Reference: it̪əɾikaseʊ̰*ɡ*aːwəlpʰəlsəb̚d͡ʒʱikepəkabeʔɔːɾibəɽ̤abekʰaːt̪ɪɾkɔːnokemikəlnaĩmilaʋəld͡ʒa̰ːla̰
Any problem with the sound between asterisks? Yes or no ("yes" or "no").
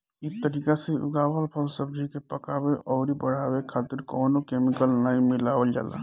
no